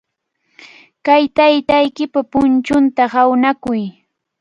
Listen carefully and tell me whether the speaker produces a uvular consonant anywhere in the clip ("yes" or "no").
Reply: no